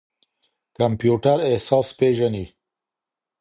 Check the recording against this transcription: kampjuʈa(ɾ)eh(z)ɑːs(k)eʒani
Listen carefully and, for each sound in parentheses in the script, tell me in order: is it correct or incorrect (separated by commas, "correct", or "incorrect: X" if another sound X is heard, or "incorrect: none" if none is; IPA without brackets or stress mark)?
correct, incorrect: s, incorrect: p